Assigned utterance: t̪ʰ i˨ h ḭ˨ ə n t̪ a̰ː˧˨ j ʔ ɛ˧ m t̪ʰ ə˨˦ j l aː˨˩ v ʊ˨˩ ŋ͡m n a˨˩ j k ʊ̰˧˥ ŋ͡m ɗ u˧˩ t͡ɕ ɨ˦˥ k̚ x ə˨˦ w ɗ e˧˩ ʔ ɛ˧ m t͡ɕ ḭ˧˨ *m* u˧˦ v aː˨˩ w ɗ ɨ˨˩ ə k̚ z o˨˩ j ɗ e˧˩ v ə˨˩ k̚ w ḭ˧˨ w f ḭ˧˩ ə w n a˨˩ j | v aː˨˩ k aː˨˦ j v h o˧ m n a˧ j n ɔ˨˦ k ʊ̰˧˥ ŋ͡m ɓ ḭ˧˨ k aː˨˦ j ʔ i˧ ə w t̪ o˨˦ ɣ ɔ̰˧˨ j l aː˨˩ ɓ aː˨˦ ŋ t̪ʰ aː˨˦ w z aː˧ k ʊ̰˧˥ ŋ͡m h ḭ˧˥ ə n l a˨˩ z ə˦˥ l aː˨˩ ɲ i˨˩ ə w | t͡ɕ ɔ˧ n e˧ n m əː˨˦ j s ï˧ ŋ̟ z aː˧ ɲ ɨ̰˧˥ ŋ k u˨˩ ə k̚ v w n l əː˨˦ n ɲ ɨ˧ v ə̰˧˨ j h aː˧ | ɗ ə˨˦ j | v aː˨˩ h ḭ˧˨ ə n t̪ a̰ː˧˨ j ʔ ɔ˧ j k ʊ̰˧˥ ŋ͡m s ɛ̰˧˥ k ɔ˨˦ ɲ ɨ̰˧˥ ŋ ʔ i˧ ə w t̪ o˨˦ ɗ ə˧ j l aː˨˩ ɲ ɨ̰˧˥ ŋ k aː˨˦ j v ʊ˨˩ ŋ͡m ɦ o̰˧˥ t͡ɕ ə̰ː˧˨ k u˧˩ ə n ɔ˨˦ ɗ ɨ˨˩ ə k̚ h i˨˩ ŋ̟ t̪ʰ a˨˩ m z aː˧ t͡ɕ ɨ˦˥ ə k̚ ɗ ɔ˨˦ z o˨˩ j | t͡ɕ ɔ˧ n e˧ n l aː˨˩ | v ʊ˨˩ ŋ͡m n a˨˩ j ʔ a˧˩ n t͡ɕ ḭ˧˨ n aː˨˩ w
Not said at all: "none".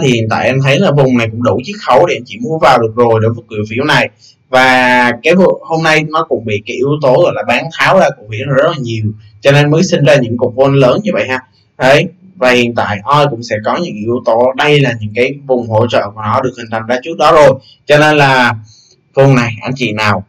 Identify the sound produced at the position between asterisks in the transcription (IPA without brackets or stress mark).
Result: m